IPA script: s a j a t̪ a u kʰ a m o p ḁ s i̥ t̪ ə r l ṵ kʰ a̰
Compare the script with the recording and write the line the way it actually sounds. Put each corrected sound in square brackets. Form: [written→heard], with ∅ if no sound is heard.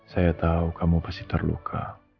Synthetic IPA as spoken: s a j a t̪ a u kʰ a m [o→u] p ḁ s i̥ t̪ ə r l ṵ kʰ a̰